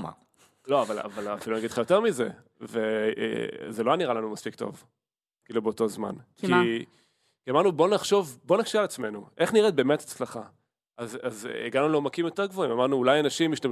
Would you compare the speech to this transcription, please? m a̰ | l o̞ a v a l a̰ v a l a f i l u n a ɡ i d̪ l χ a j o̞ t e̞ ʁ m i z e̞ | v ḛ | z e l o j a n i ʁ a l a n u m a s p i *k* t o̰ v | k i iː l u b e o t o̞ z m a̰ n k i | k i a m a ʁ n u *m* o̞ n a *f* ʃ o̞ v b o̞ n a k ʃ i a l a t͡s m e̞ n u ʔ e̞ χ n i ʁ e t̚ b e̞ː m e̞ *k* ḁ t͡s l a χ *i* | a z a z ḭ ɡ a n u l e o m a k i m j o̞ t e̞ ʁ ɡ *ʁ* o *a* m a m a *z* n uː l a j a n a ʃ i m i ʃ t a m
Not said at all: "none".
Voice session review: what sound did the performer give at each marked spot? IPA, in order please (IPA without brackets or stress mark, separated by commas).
k, b, χ, t, a, v, i, ʁ